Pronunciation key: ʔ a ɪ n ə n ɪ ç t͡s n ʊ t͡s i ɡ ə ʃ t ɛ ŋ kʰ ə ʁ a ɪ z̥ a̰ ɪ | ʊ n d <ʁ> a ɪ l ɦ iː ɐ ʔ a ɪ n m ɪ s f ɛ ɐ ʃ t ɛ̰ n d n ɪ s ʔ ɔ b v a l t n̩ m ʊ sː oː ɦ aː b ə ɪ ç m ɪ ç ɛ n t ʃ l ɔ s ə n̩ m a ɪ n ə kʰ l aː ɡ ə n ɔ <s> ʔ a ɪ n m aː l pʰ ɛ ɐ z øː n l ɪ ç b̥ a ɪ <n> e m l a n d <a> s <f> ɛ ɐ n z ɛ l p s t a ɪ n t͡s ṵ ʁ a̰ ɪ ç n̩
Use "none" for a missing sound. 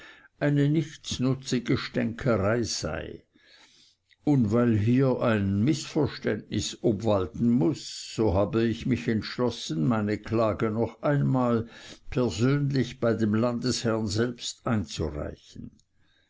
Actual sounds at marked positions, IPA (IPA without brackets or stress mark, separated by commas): v, χ, d, ə, h